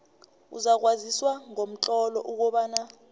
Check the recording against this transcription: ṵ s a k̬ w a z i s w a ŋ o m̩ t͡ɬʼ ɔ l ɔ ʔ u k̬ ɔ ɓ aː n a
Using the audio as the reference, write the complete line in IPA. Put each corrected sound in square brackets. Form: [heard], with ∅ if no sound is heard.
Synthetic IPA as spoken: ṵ [z] a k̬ w a z i s w a ŋ o m̩ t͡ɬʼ ɔ l ɔ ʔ u k̬ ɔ ɓ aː n a